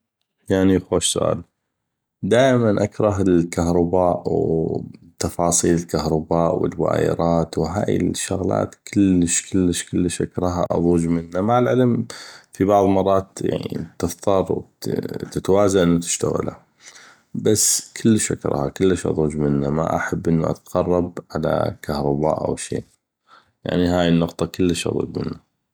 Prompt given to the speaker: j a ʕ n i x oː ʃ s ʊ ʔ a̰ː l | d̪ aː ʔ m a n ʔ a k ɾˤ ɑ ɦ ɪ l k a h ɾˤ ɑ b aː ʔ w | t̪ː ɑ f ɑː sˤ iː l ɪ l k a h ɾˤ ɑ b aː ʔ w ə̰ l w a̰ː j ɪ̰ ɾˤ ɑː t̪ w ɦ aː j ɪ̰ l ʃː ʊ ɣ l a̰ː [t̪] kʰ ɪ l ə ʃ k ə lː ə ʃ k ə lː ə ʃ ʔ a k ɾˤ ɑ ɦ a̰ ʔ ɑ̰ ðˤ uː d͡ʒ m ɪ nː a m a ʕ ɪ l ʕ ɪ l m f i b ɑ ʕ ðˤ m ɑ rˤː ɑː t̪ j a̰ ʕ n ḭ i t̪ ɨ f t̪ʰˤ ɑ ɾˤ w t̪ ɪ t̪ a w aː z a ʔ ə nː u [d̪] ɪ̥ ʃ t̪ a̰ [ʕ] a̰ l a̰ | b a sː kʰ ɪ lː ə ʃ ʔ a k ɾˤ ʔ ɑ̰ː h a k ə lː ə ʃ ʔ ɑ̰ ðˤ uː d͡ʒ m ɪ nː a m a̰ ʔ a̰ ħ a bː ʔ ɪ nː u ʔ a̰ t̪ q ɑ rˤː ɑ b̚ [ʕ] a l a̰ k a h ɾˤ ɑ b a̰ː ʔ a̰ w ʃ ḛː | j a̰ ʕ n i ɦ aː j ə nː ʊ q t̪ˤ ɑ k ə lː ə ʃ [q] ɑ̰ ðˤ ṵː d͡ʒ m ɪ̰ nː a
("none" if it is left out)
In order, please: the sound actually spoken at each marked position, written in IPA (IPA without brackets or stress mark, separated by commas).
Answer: t̪, t̪, ɣ, ʕ, ʔ